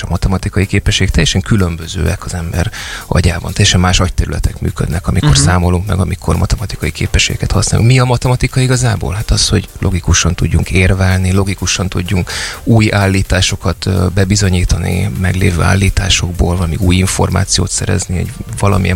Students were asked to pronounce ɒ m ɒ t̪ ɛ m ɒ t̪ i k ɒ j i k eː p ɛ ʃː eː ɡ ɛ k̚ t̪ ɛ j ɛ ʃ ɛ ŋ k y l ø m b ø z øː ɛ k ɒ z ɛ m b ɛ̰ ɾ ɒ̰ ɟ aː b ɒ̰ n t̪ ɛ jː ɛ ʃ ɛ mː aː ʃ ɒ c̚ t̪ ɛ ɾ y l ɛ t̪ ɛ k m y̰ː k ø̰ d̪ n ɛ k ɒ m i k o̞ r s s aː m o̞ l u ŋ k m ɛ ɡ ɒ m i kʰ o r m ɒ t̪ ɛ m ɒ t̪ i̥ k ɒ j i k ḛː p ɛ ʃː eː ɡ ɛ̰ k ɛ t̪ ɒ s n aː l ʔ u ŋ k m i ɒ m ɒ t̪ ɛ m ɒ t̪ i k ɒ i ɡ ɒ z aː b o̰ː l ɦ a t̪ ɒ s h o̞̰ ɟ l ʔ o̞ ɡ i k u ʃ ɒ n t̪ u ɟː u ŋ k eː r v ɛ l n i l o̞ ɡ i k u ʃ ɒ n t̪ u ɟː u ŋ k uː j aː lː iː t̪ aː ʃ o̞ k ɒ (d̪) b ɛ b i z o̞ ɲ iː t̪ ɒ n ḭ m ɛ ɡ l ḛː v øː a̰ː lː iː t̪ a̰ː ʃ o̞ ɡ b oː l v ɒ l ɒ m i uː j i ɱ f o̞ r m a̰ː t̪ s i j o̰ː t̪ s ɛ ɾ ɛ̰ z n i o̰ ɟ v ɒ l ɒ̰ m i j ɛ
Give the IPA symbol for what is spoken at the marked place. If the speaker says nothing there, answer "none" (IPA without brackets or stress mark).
t̪